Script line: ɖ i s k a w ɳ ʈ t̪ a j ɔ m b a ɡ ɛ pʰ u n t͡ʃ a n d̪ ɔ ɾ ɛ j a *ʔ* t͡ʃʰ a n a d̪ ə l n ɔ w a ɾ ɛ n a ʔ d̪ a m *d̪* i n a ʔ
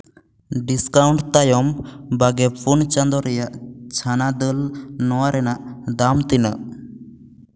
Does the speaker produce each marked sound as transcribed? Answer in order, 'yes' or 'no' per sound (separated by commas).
yes, no